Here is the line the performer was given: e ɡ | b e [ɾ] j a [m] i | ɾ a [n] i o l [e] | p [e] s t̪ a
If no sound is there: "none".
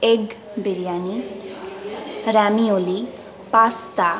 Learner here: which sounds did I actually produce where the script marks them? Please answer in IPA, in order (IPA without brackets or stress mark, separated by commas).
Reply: ɾ, n, m, i, a